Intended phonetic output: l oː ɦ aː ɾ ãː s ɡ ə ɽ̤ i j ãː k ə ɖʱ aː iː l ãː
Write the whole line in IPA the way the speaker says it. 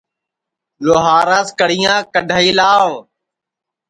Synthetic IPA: l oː ɦ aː ɾ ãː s k ə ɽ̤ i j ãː k ə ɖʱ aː iː l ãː